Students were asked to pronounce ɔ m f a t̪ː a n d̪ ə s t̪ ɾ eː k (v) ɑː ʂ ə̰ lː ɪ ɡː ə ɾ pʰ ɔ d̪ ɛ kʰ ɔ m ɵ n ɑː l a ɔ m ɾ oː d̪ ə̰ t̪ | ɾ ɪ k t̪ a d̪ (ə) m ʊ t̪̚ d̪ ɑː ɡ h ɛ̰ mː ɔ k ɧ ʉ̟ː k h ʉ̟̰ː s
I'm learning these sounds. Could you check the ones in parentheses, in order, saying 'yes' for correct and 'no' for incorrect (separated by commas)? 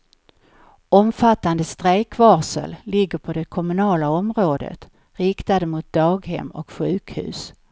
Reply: yes, yes